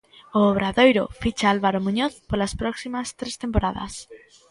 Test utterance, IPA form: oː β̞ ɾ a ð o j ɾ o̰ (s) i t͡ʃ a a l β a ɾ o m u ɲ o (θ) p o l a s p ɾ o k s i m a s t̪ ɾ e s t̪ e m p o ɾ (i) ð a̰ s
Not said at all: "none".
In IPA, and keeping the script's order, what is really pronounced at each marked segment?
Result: f, θ, a

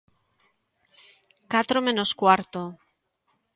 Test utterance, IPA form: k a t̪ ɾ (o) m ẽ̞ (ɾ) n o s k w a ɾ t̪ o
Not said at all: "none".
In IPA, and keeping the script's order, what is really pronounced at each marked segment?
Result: o, none

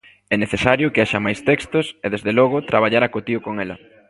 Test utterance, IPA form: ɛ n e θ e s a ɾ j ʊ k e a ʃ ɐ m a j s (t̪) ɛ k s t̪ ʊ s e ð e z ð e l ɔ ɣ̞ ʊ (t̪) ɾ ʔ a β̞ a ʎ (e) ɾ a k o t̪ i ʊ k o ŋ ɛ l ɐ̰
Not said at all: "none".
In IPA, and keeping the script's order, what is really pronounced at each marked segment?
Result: t̪, t̪, a

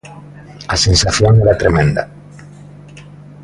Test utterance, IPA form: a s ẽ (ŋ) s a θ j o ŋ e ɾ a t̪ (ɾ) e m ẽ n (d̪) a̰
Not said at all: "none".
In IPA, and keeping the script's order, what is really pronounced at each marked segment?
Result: n, ɾ, d̪

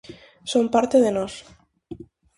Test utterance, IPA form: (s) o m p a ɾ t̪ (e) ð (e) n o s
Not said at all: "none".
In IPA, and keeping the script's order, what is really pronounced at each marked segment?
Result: s, e, e

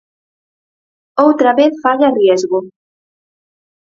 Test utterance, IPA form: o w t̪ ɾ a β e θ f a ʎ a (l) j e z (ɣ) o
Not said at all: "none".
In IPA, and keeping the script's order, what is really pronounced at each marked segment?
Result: r, ɣ

